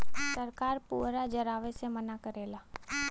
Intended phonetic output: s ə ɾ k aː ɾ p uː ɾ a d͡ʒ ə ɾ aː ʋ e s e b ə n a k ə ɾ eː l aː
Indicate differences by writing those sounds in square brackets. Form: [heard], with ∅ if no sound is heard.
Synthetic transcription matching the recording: s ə ɾ k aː ɾ p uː ɾ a d͡ʒ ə ɾ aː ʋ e s e [m] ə n a k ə ɾ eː l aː